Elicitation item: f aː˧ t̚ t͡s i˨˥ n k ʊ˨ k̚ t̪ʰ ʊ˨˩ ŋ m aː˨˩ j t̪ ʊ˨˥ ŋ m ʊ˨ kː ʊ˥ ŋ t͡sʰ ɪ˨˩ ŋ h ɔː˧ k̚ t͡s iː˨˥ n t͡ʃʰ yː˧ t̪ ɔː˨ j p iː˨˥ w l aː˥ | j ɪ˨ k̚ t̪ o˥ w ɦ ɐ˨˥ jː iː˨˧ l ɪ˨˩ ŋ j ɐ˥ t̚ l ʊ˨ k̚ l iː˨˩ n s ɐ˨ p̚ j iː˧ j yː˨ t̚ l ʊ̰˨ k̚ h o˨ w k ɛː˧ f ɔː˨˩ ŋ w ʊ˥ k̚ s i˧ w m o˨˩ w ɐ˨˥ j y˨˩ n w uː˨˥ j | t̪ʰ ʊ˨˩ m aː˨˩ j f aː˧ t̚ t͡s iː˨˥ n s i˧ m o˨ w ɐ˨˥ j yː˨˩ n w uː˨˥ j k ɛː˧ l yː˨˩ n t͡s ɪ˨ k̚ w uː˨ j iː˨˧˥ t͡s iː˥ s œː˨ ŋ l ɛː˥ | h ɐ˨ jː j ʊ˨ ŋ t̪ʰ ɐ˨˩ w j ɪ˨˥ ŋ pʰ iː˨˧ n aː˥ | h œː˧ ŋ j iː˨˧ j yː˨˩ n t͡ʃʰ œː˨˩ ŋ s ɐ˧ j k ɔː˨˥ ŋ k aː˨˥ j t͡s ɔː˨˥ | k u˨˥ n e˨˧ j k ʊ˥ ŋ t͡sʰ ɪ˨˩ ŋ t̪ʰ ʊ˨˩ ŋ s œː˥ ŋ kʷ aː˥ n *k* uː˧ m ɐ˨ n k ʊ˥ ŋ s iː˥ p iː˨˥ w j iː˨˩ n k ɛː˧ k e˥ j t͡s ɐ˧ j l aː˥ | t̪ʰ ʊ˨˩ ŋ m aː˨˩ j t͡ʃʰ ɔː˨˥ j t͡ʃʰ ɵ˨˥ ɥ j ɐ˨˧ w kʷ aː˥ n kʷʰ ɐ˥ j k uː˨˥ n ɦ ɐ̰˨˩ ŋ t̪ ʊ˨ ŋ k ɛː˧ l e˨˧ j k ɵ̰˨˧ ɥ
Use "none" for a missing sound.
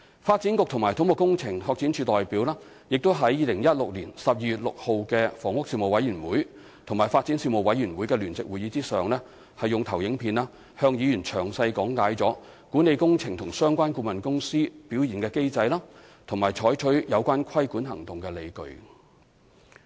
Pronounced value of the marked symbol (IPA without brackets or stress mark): k